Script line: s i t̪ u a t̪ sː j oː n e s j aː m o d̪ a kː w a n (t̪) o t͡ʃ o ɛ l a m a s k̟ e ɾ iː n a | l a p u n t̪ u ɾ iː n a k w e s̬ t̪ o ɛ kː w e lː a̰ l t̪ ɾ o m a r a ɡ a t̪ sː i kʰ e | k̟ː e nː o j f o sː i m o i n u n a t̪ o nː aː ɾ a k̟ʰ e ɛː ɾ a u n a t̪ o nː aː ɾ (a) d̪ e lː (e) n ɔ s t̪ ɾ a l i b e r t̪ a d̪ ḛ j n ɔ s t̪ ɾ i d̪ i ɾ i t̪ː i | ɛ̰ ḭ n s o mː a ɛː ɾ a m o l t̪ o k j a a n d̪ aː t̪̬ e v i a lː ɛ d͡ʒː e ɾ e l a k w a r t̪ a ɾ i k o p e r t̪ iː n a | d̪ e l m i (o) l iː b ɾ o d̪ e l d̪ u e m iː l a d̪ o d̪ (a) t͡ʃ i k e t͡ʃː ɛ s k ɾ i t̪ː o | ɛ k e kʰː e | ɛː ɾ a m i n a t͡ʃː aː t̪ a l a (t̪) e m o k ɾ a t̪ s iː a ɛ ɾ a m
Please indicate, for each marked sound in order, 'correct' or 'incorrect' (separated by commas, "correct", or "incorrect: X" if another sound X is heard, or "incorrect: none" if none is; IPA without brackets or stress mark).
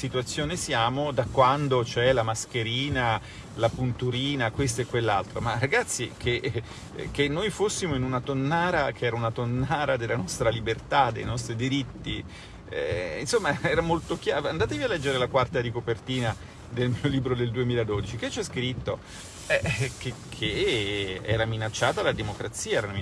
incorrect: d̪, correct, incorrect: a, correct, incorrect: i, incorrect: d̪